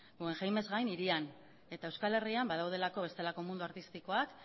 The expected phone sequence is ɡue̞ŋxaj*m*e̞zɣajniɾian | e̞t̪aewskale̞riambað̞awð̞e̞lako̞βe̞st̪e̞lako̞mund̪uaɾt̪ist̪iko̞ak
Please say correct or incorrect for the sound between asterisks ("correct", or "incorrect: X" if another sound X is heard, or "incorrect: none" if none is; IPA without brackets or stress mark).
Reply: correct